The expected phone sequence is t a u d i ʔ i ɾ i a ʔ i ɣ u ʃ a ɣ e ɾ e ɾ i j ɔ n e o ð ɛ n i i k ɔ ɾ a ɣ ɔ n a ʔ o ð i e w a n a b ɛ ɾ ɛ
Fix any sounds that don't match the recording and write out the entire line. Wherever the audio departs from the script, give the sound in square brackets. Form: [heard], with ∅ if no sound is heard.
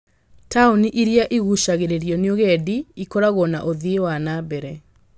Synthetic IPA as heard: t a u [n] i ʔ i ɾ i a ʔ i ɣ u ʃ a ɣ e ɾ e ɾ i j ɔ n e o [ɣ] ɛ [d] i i k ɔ ɾ a ɣ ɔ n a ʔ o ð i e w a n a b ɛ ɾ ɛ